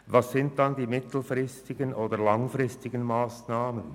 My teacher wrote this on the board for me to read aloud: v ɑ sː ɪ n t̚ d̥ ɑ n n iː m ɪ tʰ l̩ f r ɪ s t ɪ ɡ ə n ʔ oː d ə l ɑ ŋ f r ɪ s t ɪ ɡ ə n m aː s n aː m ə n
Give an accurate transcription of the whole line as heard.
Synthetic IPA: v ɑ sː ɪ n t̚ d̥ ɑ n d iː m ɪ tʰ l̩ f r ɪ s t ɪ ɡ ə n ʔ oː d ə l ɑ ŋ f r ɪ s t ɪ ɡ ə n m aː s n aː m ə n